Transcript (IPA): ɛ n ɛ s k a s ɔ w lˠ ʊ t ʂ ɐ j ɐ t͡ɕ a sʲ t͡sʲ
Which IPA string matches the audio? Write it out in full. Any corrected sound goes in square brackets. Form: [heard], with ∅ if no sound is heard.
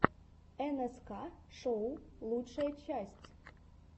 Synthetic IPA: ɛ n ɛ s k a [ʂ] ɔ w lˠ [u] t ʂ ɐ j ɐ t͡ɕ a sʲ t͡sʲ